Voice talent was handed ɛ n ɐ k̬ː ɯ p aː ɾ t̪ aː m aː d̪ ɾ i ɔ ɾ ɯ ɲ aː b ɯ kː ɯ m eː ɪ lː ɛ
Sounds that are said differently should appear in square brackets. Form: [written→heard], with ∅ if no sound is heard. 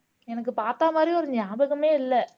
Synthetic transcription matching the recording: ɛ n ɐ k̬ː ɯ p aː ɾ t̪ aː m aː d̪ ɾ i ɔ ɾ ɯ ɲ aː b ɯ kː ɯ m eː ɪ lː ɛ